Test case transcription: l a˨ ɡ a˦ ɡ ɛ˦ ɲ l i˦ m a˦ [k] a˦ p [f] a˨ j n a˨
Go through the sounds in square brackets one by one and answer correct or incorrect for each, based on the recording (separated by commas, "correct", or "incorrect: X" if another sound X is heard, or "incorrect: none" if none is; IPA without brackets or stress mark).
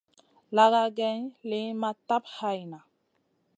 incorrect: t, incorrect: h